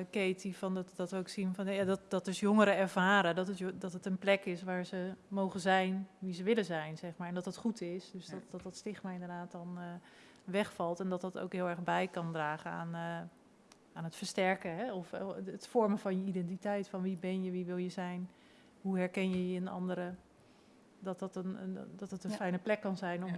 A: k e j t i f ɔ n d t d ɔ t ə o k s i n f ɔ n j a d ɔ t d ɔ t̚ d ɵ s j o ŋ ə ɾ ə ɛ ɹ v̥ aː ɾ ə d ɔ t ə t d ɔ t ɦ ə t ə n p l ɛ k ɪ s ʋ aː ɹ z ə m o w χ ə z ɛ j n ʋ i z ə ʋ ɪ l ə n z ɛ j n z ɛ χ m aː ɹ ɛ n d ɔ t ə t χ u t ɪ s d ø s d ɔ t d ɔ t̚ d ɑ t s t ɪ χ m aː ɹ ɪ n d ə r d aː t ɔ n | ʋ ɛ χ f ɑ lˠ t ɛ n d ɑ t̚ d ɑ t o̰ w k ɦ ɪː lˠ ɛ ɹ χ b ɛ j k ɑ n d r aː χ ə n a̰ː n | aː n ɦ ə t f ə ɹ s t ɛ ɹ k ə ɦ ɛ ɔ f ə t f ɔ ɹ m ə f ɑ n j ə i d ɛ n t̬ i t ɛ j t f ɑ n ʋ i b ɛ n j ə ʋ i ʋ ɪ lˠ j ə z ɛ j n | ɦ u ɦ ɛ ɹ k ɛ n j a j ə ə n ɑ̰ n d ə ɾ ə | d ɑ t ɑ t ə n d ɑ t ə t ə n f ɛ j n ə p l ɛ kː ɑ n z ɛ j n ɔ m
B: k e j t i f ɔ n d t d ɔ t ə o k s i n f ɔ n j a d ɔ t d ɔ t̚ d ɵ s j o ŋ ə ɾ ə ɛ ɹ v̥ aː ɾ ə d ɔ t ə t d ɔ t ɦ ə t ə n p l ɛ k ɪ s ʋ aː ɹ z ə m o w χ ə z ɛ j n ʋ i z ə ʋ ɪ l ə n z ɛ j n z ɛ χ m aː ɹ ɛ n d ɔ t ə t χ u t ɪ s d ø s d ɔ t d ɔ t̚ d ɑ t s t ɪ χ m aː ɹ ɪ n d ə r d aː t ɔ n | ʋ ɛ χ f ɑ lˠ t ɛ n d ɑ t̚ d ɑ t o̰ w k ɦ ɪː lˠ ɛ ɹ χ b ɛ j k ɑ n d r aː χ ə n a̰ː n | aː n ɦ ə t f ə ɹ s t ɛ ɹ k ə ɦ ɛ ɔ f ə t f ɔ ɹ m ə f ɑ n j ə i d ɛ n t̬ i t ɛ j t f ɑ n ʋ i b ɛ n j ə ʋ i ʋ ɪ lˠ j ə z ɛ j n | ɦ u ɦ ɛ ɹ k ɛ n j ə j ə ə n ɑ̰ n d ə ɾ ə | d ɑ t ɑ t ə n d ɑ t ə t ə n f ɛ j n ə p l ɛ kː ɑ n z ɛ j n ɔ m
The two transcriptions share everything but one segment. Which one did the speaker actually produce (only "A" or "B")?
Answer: B